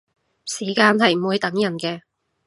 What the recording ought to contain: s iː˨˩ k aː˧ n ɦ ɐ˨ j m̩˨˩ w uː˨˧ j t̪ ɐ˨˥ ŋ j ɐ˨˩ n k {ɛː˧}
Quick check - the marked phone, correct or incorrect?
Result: correct